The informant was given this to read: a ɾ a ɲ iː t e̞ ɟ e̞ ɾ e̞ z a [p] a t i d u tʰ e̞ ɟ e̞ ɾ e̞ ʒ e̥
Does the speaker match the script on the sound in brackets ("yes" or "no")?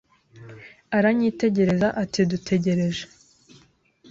no